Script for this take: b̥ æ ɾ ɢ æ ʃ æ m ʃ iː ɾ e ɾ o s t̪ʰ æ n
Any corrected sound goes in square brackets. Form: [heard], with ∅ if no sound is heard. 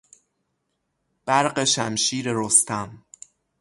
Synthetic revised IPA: b̥ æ ɾ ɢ [e] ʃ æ m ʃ iː ɾ e ɾ o s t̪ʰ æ [m]